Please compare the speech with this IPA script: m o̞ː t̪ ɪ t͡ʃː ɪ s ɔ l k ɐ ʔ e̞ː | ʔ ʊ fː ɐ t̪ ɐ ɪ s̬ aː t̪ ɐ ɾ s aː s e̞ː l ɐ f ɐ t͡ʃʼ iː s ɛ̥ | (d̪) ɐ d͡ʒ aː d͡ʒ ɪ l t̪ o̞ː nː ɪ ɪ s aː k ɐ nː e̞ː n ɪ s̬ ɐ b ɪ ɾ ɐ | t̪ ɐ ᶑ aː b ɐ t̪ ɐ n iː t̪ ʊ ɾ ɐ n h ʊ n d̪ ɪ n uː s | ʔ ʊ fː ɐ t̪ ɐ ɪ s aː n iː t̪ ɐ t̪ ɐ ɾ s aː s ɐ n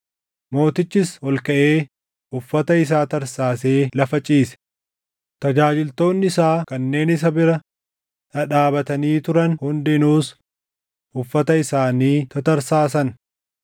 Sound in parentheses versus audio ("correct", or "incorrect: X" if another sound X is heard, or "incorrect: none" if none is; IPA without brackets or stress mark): incorrect: t̪